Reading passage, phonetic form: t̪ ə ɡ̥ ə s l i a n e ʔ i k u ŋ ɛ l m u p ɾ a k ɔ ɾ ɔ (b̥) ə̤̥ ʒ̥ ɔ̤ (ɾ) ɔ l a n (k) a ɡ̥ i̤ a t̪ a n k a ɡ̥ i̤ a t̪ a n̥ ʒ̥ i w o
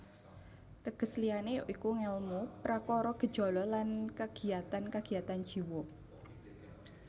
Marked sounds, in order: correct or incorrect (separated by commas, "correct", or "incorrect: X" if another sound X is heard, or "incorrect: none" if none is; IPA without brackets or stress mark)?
incorrect: ɡ̥, incorrect: l, correct